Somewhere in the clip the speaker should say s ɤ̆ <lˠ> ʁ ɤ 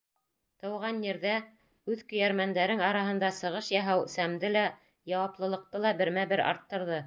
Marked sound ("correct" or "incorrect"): incorrect